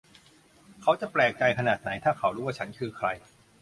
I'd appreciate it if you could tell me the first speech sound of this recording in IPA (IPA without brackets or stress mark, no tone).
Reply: kʰ